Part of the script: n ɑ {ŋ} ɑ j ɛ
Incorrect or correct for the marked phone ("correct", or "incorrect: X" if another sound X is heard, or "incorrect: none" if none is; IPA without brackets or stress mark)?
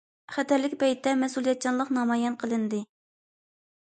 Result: incorrect: m